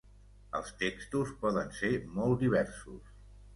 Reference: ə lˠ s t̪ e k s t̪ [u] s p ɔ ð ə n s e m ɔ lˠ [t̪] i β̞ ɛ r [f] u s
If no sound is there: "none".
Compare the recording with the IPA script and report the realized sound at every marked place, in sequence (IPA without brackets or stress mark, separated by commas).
u, d̪, s